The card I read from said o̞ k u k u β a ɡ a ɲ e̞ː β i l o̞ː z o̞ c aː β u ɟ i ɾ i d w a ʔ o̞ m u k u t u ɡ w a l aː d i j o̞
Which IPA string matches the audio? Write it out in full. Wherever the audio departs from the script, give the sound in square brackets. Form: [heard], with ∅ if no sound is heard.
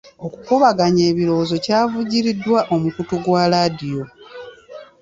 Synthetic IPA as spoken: o̞ k u k u β a ɡ a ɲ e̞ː β i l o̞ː z o̞ c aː [v] u ɟ i ɾ i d w a ʔ o̞ m u k u t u ɡ w a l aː d i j o̞